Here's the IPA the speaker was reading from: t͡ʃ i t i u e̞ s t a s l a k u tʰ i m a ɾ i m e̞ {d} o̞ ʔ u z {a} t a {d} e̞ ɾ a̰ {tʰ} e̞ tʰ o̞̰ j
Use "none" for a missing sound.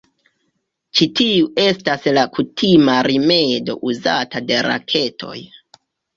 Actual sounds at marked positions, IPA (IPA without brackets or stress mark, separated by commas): d, a, d, kʰ